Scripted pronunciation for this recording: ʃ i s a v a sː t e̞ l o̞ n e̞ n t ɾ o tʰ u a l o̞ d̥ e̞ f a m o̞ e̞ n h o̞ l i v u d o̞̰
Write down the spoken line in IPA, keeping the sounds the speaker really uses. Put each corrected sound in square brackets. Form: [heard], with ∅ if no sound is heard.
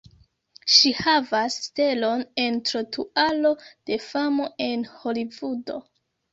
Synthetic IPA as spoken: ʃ i [h] a v a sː t e̞ l o̞ n e̞ n t ɾ o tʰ u a l o̞ d̥ e̞ f a m o̞ e̞ n h o̞ l i v u d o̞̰